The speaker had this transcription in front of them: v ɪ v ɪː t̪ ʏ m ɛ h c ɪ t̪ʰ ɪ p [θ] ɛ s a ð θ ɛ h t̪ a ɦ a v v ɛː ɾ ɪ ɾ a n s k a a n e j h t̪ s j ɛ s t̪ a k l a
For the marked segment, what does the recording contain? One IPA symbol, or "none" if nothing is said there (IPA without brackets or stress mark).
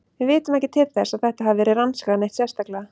θ